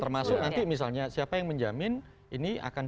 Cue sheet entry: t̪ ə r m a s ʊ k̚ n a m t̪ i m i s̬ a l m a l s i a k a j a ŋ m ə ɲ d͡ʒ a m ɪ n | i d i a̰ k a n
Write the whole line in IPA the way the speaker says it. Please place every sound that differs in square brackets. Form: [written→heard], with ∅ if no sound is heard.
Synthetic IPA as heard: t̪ ə r m a s ʊ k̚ n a [m→n] t̪ i m i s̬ a l [m→ɲ] a [l→∅] s i a [k→p] a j a ŋ m ə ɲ d͡ʒ a m ɪ n | i [d→n] i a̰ k a n

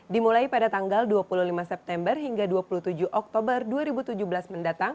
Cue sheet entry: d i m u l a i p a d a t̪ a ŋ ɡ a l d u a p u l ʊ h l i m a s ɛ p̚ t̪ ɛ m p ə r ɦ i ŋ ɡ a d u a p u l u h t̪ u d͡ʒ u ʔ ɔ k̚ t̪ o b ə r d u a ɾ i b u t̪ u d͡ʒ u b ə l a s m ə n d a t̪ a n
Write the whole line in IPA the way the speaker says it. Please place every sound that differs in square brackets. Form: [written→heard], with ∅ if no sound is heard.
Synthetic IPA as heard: d i m u l a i p a d a t̪ a ŋ ɡ a l d u a p u l [ʊ→u] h l i m a s ɛ p̚ t̪ ɛ m [p→b] ə r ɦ i ŋ ɡ a d u a p u l u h t̪ u d͡ʒ u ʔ ɔ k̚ t̪ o b ə r d u a ɾ i b u t̪ u d͡ʒ u b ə l a s m ə n d a t̪ a [n→ŋ]

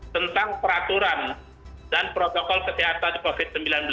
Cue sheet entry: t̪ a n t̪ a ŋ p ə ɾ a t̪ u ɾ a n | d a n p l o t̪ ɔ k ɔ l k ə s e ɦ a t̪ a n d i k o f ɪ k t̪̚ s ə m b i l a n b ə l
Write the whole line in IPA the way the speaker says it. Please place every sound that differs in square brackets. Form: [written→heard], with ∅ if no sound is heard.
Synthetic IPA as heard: t̪ [a→ə] n t̪ a ŋ p ə ɾ a t̪ u ɾ a n | d a n p [l→ɾ] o t̪ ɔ k ɔ l k ə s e ɦ a t̪ a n d i k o f ɪ [k→∅] t̪̚ s ə m b i l a n b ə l

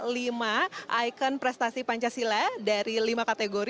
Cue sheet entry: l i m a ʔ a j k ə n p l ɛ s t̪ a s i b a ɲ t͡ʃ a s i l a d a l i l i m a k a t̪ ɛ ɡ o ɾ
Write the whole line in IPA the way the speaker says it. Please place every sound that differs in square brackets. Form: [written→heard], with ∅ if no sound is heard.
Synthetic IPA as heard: l i m a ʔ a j k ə n p [l→ɾ] ɛ s t̪ a s i [b→p] a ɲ t͡ʃ a s i l a d a [l→ɾ] i l i m a k a t̪ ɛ ɡ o ɾ

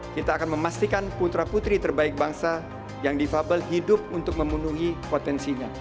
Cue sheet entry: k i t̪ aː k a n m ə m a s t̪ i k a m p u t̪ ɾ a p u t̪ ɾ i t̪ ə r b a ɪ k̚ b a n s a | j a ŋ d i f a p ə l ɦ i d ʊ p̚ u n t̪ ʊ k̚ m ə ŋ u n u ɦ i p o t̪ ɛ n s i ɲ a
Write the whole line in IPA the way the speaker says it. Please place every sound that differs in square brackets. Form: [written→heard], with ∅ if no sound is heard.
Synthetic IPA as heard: k i t̪ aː k a n m ə m a s t̪ i k a [m→n] p u t̪ ɾ a p u t̪ ɾ i t̪ ə r b a ɪ k̚ b a [n→ŋ] s a | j a ŋ d i f a [p→b] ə l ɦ i d ʊ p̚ u n t̪ ʊ k̚ m ə [ŋ→m] u n u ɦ i p o t̪ ɛ n s i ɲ a

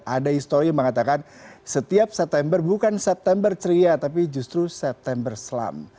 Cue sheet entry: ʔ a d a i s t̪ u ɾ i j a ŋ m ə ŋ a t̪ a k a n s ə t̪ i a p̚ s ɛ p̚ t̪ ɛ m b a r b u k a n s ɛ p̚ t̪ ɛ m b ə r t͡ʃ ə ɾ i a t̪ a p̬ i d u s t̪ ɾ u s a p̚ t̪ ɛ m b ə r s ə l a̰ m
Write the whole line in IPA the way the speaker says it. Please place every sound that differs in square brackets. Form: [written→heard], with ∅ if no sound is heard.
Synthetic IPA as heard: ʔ a d a i s t̪ [u→o] ɾ i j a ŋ m ə ŋ a t̪ a k a n s ə t̪ i a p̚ s ɛ p̚ t̪ ɛ m b [a→ə] r b u k a n s ɛ p̚ t̪ ɛ m b ə r t͡ʃ ə ɾ i a t̪ a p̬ i [d→d͡ʒ] u s t̪ ɾ u s [a→ɛ] p̚ t̪ ɛ m b ə r s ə l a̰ m

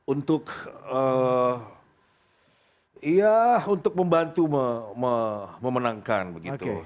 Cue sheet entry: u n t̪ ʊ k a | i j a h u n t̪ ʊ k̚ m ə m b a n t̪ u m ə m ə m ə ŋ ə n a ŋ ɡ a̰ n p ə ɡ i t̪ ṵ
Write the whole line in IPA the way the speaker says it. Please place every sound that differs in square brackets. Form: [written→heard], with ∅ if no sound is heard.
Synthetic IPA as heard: u n t̪ ʊ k [a→ə] | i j a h u n t̪ ʊ k̚ m ə m b a n t̪ u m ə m ə m ə [ŋ→m] ə n a ŋ [ɡ→k] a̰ n [p→b] ə ɡ i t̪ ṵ

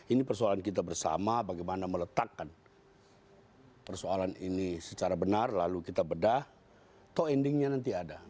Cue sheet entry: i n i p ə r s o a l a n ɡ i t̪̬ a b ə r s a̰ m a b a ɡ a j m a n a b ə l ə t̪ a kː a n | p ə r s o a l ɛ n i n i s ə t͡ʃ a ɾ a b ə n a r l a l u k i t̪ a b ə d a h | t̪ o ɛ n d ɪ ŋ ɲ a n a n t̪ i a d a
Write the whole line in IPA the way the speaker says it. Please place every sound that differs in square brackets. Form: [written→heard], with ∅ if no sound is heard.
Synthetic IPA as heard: i n i p ə r s o a l a n [ɡ→k] i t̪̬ a b ə r s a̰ m a b a ɡ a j m a n a [b→m] ə l ə t̪ a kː a n | p ə r s o a l [ɛ→a] n i n i s ə t͡ʃ a ɾ a b ə n a r l a l u k i t̪ a b ə d a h | t̪ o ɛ n d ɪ ŋ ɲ a n a n t̪ i a d a

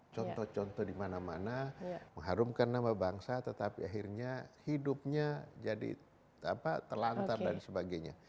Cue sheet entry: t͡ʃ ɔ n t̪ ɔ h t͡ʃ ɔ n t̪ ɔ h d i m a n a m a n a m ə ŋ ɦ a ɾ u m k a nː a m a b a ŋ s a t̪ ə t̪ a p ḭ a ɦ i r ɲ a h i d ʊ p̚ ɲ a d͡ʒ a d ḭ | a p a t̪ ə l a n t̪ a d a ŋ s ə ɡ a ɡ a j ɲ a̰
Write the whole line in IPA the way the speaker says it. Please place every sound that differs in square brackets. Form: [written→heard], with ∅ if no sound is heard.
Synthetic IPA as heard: t͡ʃ ɔ n t̪ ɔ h t͡ʃ ɔ n t̪ ɔ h d i m a n a m a n a m ə ŋ ɦ a ɾ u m k a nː a m a b a ŋ s a t̪ ə t̪ a p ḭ a ɦ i r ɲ a h i d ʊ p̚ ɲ a d͡ʒ a d ḭ | a p a t̪ ə l a n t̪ a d a [ŋ→n] s ə [ɡ→b] a ɡ a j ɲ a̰

